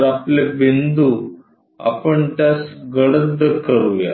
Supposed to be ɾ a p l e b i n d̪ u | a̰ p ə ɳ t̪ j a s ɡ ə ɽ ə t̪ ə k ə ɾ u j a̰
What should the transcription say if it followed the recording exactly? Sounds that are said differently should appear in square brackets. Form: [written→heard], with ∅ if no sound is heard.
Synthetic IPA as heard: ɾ a p l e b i n d̪ u | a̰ p ə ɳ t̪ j a s ɡ ə ɽ ə [t̪→d̪] ə k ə ɾ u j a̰